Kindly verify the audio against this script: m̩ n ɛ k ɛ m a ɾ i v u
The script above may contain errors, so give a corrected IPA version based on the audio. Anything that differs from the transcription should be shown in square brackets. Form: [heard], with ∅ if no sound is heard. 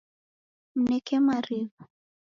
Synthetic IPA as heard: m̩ n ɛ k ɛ m a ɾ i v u